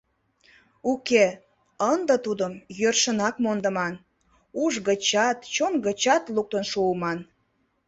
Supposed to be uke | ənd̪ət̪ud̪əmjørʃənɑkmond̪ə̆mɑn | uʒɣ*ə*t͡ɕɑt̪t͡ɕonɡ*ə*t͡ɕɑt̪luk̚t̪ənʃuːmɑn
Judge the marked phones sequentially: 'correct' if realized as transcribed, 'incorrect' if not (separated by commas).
correct, correct